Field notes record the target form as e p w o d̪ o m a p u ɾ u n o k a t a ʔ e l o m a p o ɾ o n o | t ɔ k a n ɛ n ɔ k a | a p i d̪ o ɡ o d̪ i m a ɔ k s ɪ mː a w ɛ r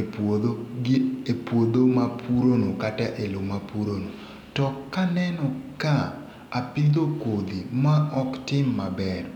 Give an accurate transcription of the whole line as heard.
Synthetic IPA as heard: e p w o d̪ o m a p u ɾ o n o k a t a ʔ e l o m a p u ɾ o n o | t ɔ k a n ɛ n ɔ k a | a p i d̪ o k o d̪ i m a ɔ k t ɪ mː a b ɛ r